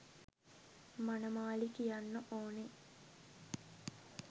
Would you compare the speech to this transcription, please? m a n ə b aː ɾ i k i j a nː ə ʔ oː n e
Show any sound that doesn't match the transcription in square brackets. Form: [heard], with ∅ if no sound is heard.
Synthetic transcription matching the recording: m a n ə [m] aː [l] i k i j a nː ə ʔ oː n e